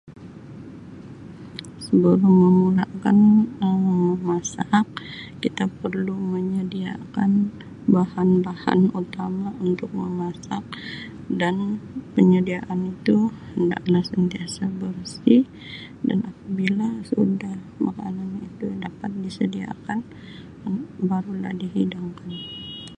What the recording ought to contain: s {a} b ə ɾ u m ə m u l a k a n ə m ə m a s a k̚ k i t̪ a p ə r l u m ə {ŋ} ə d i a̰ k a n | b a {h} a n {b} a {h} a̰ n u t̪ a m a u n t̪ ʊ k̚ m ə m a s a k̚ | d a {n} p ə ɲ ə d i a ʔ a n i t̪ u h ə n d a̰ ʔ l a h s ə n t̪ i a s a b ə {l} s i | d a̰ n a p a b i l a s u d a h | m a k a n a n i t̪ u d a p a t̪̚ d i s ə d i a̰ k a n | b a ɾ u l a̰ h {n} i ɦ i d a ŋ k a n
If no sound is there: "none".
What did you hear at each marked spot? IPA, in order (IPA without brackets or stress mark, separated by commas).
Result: ə, ɲ, h, b, h, n, r, d